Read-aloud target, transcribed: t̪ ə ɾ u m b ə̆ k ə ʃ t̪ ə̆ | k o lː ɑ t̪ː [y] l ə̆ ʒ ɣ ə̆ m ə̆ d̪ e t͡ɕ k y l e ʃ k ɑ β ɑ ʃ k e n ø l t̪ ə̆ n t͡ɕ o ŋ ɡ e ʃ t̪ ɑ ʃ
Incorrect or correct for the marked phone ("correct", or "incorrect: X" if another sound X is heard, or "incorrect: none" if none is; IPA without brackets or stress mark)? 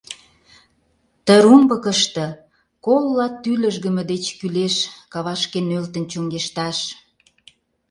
correct